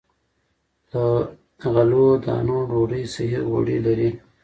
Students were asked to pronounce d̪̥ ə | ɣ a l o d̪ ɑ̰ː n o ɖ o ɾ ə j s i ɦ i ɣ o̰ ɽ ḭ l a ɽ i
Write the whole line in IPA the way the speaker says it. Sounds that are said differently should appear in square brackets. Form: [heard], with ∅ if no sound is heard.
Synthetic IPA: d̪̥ ə | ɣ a l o d̪ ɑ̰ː n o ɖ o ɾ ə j s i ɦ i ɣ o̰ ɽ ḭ l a [ɾ] i